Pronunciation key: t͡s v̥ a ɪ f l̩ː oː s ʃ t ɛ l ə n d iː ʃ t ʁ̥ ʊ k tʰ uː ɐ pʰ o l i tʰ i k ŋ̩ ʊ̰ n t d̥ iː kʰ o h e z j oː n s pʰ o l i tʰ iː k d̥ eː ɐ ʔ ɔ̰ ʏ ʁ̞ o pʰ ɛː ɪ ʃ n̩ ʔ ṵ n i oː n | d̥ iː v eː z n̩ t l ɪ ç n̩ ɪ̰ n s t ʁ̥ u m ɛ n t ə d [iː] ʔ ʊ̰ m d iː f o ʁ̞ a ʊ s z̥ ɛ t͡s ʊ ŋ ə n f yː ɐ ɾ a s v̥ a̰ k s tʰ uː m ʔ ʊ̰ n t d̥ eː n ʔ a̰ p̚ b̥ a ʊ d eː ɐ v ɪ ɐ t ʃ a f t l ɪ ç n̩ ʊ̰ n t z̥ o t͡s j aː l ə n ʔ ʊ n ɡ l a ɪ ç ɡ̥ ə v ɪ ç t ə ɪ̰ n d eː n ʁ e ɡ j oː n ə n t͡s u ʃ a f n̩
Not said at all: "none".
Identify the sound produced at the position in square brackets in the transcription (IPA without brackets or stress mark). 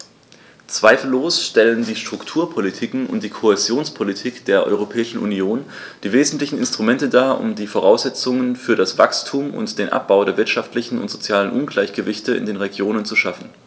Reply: aː